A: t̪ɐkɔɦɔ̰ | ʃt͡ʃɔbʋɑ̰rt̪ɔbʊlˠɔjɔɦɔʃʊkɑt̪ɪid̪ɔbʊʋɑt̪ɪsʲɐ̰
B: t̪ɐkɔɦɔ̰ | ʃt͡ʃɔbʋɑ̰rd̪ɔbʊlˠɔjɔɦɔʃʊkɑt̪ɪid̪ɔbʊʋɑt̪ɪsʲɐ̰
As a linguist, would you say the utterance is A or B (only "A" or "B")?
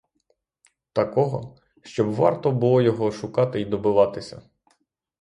A